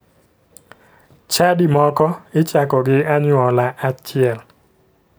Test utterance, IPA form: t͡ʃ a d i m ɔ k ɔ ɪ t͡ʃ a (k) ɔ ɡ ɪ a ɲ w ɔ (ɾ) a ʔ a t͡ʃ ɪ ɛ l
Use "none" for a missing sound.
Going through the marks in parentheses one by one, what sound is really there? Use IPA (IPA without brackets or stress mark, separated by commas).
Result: k, l